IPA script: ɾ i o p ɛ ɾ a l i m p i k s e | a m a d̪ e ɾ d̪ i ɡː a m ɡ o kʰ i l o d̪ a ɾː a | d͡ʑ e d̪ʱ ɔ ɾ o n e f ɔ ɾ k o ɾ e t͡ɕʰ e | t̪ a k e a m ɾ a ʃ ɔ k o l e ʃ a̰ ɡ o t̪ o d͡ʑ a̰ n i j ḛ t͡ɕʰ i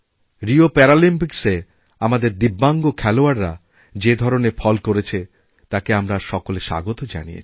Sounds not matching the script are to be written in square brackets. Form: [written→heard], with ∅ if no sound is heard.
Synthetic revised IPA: ɾ i o p ɛ ɾ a l i m p i k s e | a m a d̪ e ɾ d̪ i [ɡː→bː] a [m→ŋ] ɡ o kʰ [i→ɛ] l o [d̪→∅] a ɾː a | d͡ʑ e d̪ʱ ɔ ɾ o n e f ɔ [ɾ→l] k o ɾ e t͡ɕʰ e | t̪ a k e a m ɾ a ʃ ɔ k o l e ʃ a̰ ɡ o t̪ o d͡ʑ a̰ n i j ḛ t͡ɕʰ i